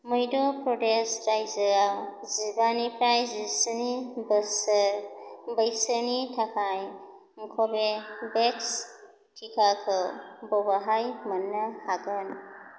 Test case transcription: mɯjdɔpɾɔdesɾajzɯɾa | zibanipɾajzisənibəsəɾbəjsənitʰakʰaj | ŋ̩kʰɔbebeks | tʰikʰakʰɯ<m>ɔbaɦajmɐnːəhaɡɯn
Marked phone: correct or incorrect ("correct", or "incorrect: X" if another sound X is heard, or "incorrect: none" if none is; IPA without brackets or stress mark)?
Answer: incorrect: b